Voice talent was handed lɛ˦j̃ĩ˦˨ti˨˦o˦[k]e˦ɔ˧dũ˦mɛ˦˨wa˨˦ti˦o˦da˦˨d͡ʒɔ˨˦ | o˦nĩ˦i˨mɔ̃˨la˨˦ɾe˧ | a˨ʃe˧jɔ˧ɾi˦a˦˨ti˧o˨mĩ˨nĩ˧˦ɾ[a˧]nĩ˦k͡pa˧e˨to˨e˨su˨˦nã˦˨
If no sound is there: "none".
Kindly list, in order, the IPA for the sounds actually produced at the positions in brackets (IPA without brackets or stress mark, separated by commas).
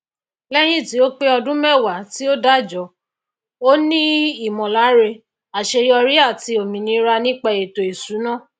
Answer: k͡p, a˧